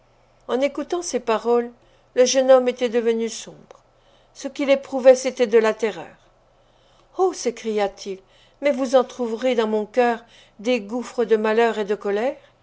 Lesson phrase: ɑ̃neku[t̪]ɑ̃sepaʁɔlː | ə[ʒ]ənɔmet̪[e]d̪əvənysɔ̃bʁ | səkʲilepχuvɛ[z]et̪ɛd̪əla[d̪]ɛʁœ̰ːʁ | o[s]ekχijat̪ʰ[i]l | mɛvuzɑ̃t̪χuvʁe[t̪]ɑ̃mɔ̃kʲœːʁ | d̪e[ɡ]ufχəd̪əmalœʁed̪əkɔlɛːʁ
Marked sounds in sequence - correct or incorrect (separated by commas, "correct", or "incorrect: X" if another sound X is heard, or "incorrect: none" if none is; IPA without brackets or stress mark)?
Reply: correct, correct, incorrect: ɛ, incorrect: s, incorrect: t̪, correct, correct, incorrect: d̪, correct